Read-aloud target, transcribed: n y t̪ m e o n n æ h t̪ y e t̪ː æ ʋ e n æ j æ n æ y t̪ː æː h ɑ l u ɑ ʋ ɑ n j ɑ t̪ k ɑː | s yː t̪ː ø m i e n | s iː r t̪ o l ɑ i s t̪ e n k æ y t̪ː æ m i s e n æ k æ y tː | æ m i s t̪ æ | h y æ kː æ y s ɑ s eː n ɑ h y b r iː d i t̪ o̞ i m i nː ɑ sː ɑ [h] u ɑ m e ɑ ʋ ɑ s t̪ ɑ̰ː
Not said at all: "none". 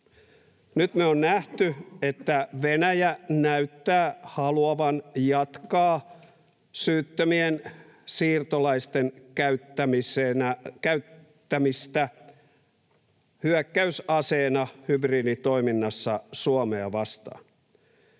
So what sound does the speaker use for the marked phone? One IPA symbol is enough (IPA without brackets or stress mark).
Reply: s